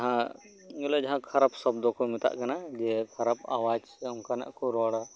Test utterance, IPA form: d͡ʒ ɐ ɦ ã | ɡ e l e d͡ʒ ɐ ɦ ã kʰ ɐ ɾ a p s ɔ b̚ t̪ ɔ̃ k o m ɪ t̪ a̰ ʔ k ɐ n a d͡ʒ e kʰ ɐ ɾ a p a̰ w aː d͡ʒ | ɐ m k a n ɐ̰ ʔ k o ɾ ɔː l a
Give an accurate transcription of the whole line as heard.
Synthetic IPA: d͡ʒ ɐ ɦ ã | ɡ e l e d͡ʒ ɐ ɦ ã kʰ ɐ ɾ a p s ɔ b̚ d̪ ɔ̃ k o m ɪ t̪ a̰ ʔ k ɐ n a d͡ʒ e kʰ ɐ ɾ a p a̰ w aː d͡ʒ | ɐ m k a n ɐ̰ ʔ k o ɾ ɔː ɽ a